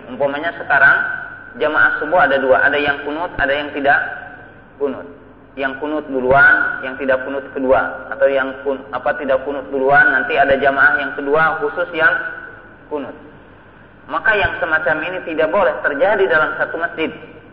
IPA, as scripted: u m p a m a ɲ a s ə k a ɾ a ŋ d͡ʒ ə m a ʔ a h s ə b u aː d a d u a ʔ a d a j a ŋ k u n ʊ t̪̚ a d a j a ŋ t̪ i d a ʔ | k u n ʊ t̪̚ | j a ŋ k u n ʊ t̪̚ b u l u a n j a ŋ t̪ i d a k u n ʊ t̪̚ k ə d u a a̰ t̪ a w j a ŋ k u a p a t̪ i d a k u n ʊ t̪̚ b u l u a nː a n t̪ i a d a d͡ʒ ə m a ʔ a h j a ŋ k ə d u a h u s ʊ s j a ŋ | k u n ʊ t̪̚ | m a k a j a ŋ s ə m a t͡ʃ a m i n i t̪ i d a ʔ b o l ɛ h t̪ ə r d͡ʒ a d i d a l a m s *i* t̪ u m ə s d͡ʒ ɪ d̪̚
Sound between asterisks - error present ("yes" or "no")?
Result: yes